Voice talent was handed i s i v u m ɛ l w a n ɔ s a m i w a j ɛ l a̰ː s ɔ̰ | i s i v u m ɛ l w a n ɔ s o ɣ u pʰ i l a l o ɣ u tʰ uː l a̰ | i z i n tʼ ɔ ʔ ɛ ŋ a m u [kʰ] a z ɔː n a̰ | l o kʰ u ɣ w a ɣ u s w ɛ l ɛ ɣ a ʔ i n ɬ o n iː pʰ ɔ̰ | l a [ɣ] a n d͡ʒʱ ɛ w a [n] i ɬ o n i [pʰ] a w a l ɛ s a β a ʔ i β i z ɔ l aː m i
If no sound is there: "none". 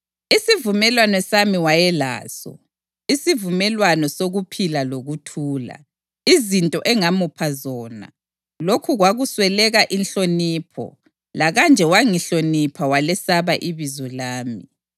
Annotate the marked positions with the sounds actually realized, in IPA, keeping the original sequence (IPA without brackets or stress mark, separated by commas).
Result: pʰ, ɣ, ŋ, pʰ